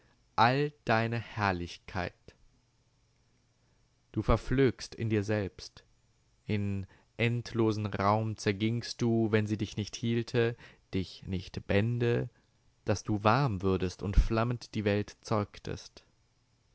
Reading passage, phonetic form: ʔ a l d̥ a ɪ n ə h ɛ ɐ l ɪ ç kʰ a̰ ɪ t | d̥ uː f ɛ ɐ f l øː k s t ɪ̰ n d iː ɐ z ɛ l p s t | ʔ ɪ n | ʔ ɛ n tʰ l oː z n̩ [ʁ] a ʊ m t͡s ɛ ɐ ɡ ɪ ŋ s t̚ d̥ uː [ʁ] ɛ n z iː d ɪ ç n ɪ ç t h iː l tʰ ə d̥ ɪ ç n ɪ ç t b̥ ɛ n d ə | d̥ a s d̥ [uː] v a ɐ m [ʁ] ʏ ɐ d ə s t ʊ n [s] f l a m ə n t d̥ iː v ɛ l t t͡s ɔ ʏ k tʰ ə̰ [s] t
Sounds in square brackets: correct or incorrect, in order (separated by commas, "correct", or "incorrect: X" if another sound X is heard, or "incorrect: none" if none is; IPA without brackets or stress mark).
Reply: correct, incorrect: v, correct, incorrect: v, incorrect: t, correct